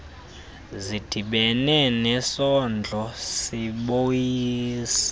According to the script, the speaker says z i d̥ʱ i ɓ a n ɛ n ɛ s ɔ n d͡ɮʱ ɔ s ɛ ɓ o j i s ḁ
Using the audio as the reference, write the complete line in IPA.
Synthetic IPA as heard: z i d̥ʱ i ɓ ɛ n ɛ n ɛ s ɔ n d͡ɮʱ ɔ s i ɓ o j iː s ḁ